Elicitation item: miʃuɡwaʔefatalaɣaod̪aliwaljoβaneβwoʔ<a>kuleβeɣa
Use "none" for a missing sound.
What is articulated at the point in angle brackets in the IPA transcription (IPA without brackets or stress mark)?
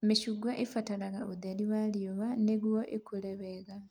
e